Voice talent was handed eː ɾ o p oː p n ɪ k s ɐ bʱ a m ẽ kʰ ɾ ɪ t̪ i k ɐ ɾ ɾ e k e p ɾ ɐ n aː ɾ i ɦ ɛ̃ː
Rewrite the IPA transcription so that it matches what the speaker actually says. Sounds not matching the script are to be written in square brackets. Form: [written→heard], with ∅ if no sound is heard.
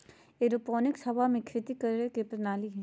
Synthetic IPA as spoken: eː ɾ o p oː [p→∅] n ɪ k s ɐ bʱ a m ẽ kʰ ɾ ɪ t̪ i k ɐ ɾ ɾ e k e p ɾ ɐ n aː [ɾ→l] i ɦ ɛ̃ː